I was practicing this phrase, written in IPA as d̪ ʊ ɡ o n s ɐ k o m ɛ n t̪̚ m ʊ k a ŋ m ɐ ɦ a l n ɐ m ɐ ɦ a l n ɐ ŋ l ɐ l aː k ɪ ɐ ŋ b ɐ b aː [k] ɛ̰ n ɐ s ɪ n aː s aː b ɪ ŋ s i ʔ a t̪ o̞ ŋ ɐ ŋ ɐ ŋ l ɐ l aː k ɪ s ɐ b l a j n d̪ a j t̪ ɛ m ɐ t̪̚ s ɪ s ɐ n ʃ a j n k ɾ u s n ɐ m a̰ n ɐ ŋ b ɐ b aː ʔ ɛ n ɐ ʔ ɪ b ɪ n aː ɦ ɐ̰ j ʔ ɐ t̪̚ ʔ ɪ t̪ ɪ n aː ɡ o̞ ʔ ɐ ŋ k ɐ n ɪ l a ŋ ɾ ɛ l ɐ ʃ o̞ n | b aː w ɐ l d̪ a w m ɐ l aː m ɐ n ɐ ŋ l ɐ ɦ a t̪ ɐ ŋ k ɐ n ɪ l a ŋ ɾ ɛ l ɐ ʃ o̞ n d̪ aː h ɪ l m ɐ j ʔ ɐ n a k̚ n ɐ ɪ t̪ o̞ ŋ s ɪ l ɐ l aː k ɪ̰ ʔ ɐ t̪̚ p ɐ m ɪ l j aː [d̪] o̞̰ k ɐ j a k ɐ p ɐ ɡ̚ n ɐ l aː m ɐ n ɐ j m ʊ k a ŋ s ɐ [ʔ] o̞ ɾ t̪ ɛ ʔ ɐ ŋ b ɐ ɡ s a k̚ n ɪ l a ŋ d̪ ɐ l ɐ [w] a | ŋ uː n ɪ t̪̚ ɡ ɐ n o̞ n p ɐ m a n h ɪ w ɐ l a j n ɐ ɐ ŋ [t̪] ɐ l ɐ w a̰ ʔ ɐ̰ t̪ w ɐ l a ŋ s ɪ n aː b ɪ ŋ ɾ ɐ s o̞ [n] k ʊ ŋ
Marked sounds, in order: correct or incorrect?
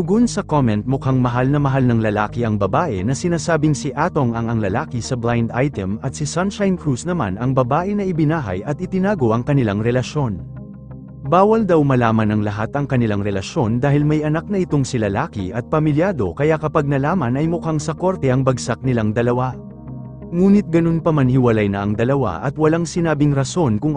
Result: incorrect, correct, incorrect, correct, incorrect, correct

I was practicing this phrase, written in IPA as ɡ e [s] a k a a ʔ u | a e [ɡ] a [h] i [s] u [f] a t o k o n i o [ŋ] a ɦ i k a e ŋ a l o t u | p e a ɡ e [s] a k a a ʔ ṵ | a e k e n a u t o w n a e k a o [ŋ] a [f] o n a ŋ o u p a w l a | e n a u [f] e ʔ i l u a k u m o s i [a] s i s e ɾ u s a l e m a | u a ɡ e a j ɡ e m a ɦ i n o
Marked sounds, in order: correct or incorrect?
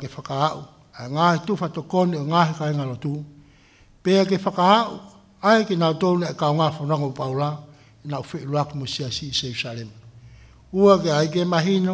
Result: incorrect, incorrect, correct, incorrect, correct, correct, incorrect, correct, correct, correct, correct

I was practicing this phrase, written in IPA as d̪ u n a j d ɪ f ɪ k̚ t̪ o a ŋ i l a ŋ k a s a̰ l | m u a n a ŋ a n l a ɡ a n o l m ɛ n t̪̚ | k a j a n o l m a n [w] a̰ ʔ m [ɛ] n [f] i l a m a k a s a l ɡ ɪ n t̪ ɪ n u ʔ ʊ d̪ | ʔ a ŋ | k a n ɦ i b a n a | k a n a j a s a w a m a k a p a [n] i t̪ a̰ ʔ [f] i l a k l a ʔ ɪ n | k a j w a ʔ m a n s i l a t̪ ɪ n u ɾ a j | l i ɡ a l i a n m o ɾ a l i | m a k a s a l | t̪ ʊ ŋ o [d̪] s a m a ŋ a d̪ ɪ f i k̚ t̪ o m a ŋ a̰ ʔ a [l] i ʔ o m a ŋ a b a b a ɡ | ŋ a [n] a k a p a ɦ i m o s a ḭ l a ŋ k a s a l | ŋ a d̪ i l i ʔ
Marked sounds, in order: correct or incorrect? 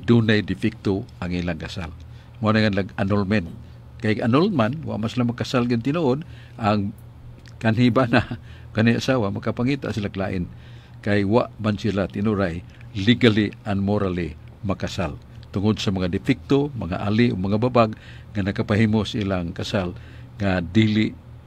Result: correct, incorrect, incorrect, incorrect, incorrect, correct, correct, correct

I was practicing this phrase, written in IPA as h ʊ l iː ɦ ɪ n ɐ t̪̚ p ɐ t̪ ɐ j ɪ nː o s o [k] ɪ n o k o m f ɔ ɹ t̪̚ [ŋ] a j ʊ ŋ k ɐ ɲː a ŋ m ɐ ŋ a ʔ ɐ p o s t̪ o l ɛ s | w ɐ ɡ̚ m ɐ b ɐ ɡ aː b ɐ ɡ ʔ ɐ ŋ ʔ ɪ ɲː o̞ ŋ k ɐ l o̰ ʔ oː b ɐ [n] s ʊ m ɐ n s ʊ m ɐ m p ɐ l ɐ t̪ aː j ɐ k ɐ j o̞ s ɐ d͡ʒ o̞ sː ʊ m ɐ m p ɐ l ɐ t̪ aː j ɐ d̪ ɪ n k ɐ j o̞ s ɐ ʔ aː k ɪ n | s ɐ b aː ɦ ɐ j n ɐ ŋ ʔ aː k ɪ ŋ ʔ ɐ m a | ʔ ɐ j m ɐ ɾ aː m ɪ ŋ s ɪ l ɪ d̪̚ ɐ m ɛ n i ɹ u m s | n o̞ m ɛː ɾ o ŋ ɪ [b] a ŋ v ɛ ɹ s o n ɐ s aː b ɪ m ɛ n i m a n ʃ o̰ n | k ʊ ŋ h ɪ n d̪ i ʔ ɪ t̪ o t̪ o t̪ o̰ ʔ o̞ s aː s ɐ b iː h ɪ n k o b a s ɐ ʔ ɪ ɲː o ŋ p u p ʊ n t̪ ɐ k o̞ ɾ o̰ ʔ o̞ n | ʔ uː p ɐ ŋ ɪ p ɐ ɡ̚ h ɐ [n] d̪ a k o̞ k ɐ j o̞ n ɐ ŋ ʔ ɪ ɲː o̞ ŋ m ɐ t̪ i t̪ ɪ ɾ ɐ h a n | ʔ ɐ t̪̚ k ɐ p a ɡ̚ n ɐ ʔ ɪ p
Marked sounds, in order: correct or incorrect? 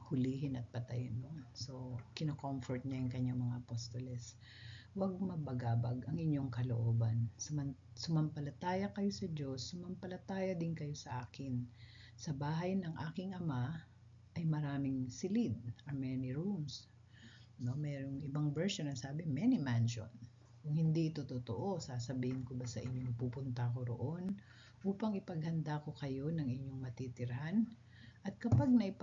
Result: correct, incorrect, correct, correct, correct

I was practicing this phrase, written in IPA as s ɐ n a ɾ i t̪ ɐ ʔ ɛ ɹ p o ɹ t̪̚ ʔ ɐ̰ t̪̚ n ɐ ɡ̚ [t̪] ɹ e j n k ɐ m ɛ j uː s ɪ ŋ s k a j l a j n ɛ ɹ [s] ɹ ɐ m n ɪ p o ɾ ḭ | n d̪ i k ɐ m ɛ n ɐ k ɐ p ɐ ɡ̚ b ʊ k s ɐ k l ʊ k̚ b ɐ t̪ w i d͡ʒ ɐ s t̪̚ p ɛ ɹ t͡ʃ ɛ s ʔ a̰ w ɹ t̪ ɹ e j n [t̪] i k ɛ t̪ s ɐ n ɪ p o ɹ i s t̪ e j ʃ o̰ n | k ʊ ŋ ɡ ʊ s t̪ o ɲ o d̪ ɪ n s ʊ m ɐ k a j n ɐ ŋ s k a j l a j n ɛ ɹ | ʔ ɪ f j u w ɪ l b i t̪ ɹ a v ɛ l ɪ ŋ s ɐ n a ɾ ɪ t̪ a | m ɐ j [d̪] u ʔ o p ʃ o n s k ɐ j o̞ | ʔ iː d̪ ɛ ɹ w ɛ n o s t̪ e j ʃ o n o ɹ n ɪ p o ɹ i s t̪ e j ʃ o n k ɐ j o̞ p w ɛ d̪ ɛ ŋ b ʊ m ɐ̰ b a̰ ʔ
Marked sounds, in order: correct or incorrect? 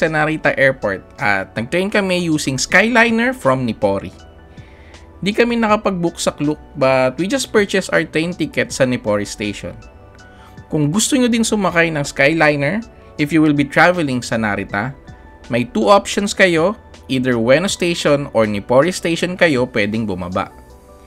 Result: correct, incorrect, correct, incorrect

